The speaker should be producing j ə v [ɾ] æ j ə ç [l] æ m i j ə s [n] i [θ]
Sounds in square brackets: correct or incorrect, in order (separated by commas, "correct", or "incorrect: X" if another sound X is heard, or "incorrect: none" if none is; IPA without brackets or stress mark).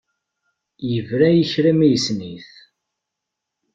correct, incorrect: ɾ, correct, correct